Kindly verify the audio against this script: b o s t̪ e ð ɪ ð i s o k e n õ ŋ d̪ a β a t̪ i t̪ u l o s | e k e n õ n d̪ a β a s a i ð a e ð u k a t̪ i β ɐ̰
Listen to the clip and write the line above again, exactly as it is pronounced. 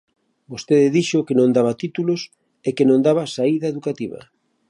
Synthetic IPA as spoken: b o s t̪ e ð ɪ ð i ʃ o k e n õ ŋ d̪ a β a t̪ i t̪ u l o s | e k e n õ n d̪ a β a s a i ð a e ð u k a t̪ i β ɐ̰